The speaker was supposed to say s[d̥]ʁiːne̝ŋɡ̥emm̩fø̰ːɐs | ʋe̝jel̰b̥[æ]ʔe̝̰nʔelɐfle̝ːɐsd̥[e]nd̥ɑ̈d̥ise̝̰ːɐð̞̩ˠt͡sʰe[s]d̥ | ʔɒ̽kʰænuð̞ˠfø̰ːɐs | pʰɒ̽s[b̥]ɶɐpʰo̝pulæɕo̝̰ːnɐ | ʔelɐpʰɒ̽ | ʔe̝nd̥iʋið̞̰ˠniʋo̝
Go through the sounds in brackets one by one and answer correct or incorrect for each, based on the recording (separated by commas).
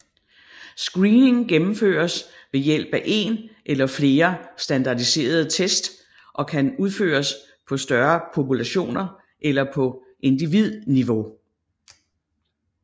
incorrect, correct, incorrect, correct, incorrect